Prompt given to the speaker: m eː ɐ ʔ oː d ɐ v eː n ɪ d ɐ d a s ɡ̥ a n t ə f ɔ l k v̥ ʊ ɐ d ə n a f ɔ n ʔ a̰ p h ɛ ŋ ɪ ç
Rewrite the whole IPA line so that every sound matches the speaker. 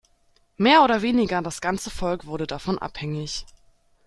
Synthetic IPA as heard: m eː ɐ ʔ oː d ɐ v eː n ɪ ɡ ɐ d a s ɡ̥ a n t͡s ə f ɔ l k v̥ ʊ ɐ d ə d a f ɔ n ʔ a̰ p h ɛ ŋ ɪ ç